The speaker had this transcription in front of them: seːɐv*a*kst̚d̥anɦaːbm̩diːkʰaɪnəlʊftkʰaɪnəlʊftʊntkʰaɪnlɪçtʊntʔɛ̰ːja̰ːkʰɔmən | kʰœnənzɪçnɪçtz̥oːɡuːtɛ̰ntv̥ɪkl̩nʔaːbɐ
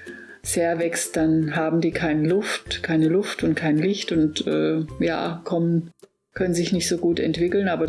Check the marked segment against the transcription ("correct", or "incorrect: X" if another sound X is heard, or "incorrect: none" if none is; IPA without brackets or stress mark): incorrect: ɛ